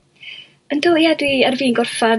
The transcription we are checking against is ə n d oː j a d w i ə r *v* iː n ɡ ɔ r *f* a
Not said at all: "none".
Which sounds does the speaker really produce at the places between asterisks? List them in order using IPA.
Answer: v, f

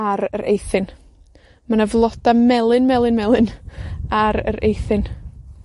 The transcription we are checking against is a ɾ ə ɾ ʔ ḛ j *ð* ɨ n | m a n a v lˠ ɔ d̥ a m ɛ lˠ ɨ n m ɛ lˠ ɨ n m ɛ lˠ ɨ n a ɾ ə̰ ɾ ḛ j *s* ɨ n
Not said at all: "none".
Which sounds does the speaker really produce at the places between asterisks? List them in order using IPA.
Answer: θ, θ

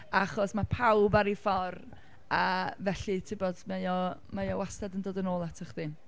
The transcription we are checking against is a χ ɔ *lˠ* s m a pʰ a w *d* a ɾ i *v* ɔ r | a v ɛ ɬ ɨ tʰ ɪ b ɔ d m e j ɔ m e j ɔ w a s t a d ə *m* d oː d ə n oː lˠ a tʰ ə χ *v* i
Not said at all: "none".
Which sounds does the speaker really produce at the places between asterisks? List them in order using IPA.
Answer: none, b, f, n, ð

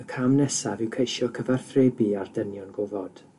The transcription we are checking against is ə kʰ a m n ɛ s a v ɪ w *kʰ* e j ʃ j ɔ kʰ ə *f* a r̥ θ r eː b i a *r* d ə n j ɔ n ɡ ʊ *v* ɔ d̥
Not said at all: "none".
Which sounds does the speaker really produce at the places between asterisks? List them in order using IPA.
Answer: kʰ, v, r, v

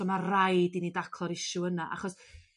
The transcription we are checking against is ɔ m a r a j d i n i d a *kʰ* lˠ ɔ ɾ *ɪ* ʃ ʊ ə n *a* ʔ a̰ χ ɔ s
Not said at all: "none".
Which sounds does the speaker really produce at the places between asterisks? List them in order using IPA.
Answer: kʰ, ɪ, a

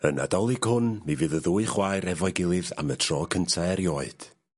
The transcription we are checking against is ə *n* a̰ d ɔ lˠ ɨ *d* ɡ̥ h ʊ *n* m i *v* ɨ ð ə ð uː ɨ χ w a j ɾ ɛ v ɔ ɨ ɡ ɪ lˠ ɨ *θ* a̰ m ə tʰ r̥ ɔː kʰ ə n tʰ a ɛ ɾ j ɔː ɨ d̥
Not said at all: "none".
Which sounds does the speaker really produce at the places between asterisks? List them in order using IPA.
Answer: n, none, n, v, ð

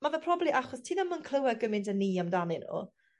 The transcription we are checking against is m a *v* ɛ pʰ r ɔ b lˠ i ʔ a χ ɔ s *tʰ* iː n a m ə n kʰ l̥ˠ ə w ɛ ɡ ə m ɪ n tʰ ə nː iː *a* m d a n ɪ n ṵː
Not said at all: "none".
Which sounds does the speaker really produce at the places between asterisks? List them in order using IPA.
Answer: v, tʰ, a

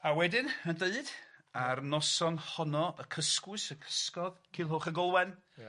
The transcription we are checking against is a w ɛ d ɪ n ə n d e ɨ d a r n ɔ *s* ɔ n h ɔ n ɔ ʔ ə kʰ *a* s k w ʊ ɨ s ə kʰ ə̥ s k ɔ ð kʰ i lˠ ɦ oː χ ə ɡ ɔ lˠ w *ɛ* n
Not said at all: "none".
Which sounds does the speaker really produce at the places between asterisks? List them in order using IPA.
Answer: s, ə, ɛ

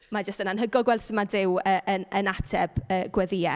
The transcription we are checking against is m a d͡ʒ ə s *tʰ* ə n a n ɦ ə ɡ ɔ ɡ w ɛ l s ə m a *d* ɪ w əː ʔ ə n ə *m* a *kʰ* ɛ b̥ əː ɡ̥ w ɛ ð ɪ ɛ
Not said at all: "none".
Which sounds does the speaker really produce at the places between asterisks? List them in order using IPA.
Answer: t, d, n, tʰ

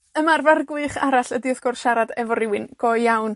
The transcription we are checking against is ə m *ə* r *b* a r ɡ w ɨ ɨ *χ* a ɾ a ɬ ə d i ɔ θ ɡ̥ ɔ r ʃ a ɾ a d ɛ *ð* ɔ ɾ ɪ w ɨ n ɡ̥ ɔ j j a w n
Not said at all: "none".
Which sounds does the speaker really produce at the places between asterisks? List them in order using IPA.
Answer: a, v, χ, v

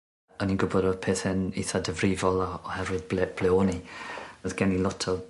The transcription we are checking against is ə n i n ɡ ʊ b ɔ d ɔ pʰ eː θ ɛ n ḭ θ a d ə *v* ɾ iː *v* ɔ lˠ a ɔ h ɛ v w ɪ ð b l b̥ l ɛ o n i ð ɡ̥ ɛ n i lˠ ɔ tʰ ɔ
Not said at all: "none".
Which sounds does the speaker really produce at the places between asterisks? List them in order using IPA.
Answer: v, v

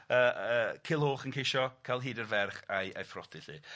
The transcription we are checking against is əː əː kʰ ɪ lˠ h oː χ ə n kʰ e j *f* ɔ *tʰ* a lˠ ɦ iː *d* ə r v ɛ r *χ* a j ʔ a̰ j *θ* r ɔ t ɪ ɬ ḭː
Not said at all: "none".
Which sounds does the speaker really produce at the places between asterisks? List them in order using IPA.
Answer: ʃ, kʰ, d, χ, f

